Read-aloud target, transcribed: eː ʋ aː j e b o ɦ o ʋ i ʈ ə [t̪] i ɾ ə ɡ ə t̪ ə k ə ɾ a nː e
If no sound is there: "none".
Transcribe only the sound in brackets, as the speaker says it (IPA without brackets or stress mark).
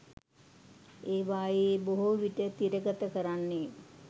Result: t̪